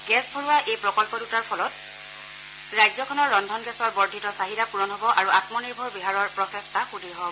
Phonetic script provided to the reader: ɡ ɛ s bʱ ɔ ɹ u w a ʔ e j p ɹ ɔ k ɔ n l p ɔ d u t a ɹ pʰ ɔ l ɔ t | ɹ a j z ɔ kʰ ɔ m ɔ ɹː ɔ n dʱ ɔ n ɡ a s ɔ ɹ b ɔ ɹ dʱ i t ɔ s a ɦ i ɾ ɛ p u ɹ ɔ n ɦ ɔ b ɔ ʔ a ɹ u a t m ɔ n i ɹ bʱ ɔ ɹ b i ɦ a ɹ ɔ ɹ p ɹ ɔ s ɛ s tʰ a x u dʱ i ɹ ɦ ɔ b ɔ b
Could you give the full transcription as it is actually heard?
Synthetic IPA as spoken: ɡ ɛ s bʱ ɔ ɹ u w a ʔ e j p ɹ ɔ k ɔ l p ɔ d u t a ɹ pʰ ɔ l ɔ t | ɹ a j z ɔ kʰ ɔ n ɔ ɹː ɔ n dʱ ɔ n ɡ ɛ s ɔ ɹ b ɔ ɹ dʱ i t ɔ s a ɦ i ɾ a p u ɹ ɔ n ɦ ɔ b ɔ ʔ a ɹ u a t m ɔ n i ɹ bʱ ɔ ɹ b i ɦ a ɹ ɔ ɹ p ɹ ɔ s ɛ s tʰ a x u dʱ i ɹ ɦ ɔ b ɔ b

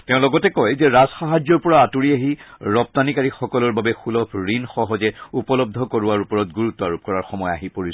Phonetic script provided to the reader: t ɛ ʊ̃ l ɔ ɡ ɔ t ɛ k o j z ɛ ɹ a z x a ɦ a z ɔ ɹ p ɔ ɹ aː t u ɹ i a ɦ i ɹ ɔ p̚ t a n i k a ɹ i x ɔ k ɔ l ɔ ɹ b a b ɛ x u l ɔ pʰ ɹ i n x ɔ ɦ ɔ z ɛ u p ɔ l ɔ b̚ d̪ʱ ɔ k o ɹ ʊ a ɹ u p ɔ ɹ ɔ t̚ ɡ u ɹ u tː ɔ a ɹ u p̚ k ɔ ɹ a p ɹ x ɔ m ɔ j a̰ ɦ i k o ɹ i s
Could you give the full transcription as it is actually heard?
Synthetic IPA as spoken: t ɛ ʊ̃ l ɔ ɡ ɔ t ɛ k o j z ɛ ɹ a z x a ɦ a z ɔ ɹ p ɔ ɹ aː t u ɹ i a ɦ i ɹ ɔ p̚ t a n i k a ɹ i x ɔ k ɔ l ɔ ɹ b a b ɛ x u l ɔ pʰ ɹ i n x ɔ ɦ ɔ z ɛ u p ɔ l ɔ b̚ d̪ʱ ɔ k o ɹ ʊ a ɹ u p ɔ ɹ ɔ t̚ ɡ u ɹ u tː ɔ a ɹ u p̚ k ɔ ɹ a ɹ x ɔ m ɔ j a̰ ɦ i p o ɹ i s

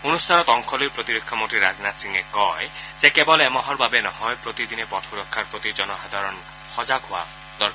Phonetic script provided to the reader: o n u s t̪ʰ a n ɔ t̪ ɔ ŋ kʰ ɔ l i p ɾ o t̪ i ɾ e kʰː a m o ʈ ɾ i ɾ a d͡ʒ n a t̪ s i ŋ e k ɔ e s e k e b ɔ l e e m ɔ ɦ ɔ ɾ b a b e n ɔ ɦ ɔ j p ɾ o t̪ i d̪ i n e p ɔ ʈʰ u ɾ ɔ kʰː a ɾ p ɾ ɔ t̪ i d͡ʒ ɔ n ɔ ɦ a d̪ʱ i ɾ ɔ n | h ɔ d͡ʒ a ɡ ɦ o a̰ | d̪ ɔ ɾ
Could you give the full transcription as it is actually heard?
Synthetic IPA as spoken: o n u s t̪ʰ a n ɔ t̪ ɔ ŋ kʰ ɔ l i p ɾ o t̪ i ɾ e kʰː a m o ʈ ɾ i ɾ a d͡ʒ n a t̪ s i ŋ e k ɔ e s e k e b ɔ l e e m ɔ ɦ ɔ ɾ b a b e n ɔ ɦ ɔ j p ɾ o t̪ i d̪ i n e p ɔ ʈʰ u ɾ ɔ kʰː a ɾ p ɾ o t̪ i d͡ʒ ɔ n ɔ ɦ a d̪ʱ a ɾ ɔ n | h ɔ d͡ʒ a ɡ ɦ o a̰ | d̪ ɔ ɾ

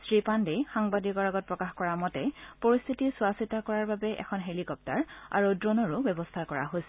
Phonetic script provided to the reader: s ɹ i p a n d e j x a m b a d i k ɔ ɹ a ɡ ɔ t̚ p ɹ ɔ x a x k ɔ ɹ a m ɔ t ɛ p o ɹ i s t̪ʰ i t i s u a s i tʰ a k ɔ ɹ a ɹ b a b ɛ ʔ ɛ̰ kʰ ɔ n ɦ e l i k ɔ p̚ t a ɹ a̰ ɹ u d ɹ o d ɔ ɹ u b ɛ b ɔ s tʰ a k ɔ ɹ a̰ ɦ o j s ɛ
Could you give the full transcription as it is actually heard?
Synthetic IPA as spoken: s ɹ i p a n d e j x a ŋ b a d i k ɔ ɹ a ɡ ɔ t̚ p ɹ ɔ k a x k ɔ ɹ a m ɔ t ɛ p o ɹ i s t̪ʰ i t i s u a s i t a k ɔ ɹ a ɹ b a b ɛ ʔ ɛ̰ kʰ ɔ n ɦ e l i k ɔ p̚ t a ɹ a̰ ɹ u d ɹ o n ɔ ɹ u b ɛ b ɔ s tʰ a k ɔ ɹ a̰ ɦ o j s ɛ

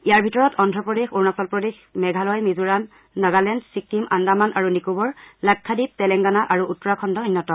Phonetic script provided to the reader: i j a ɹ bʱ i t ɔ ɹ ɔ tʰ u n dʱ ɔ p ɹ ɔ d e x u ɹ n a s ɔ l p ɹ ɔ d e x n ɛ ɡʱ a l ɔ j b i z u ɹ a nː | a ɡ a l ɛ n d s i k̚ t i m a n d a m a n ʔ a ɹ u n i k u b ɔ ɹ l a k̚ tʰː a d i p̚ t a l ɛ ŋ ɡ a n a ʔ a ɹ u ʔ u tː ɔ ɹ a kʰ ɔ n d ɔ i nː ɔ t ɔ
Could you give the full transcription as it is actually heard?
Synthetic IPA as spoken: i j a ɹ bʱ i t ɔ ɹ ɔ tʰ ɔ n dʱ ɔ p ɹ ɔ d e x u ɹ n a s ɔ l p ɹ ɔ d e x m ɛ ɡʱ a l ɔ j m i z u ɹ a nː | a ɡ a l ɛ n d s i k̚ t i m a n d a m a n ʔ a ɹ u n i k u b ɔ ɹ l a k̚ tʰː a d i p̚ t ɛ l ɛ ŋ ɡ a n a ʔ a ɹ u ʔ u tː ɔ ɹ a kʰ ɔ n d ɔ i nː ɔ t ɔ

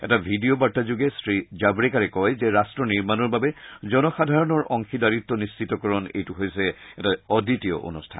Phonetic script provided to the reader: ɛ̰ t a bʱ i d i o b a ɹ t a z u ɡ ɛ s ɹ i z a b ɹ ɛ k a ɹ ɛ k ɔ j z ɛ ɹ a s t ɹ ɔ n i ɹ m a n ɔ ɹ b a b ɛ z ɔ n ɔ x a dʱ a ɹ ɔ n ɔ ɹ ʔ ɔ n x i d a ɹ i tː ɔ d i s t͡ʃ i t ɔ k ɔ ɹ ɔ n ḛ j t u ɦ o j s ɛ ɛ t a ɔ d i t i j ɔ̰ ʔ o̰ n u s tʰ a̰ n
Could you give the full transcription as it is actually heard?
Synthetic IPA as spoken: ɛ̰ t a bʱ i d i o b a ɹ t a z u ɡ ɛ s ɹ i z a b ɹ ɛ k a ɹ ɛ k ɔ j z ɛ ɹ a s t ɹ ɔ n i ɹ m a n ɔ ɹ b a b ɛ z ɔ n ɔ x a dʱ a ɹ ɔ n ɔ ɹ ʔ ɔ ŋ x i d a ɹ i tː ɔ n i s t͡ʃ i t ɔ k ɔ ɹ ɔ n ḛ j t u ɦ o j s ɛ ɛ t a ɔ d i t i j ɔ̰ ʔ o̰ n u s tʰ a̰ n

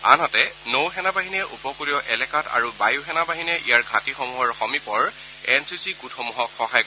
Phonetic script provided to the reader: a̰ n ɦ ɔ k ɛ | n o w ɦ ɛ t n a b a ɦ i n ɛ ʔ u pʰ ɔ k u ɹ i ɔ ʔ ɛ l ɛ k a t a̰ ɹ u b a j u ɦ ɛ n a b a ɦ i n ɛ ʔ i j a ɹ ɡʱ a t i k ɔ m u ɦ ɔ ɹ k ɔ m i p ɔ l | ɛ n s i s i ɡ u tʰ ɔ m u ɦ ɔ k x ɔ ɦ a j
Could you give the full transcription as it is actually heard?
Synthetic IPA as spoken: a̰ n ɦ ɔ t ɛ | n o w ɦ ɛ n a b a ɦ i n ɛ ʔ u p ɔ k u ɹ i ɔ ʔ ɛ l ɛ k a t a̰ ɹ u b a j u ɦ ɛ n a b a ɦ i n ɛ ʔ i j a ɹ ɡʱ a t i x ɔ m u ɦ ɔ ɹ x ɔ m i p ɔ ɹ | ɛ n s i s i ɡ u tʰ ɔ m u ɦ ɔ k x ɔ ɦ a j

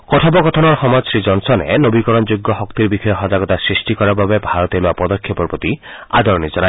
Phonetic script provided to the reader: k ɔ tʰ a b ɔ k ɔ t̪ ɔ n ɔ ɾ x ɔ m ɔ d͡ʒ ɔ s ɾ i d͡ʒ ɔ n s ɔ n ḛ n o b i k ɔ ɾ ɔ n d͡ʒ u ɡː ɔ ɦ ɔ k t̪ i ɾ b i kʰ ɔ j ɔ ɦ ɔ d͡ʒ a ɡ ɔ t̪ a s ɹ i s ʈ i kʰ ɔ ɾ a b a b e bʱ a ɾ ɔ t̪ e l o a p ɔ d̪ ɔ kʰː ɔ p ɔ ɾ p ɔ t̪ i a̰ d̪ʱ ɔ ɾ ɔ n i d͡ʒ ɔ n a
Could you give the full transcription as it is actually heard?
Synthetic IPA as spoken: k ɔ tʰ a b ɔ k ɔ t̪ʰ ɔ n ɔ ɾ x ɔ m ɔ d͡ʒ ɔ s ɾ i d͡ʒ ɔ n s ɔ n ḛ n o b i k ɔ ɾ ɔ n d͡ʒ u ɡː ɔ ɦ ɔ k t̪ i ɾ b i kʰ ɔ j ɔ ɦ ɔ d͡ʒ a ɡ ɔ t̪ a s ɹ i s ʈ i k ɔ ɾ a b a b e bʱ a ɾ ɔ t̪ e l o a p ɔ d̪ ɔ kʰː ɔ p ɔ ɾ p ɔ t̪ i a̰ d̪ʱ ɔ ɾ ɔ n i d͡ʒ ɔ n a

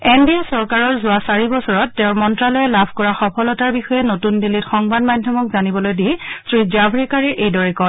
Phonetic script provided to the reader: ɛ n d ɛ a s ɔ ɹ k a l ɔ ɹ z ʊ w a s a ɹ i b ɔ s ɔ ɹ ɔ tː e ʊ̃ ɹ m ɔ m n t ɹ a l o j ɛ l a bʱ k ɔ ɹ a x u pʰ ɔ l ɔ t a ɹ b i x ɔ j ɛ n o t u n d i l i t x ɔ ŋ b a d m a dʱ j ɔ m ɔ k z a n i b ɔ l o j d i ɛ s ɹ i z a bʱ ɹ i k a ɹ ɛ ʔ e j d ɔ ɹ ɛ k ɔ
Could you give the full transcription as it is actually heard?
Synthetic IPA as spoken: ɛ n d i a s ɔ ɹ k a ɹ ɔ ɹ z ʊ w a s a ɹ i b ɔ s ɔ ɹ ɔ tː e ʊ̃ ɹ m ɔ n t ɹ a l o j ɛ l a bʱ k ɔ ɹ a x ɔ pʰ ɔ l ɔ t a ɹ b i x ɔ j ɛ n o t u n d i l i t x ɔ ŋ b a d m a dʱ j ɔ m ɔ k z a n i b ɔ l o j d i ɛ s ɹ i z a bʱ ɹ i k a ɹ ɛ ʔ e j d ɔ ɹ ɛ k ɔ

